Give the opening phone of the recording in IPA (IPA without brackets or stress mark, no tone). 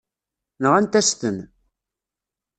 n